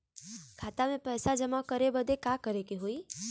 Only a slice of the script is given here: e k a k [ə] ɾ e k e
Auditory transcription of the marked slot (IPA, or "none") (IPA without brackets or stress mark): ə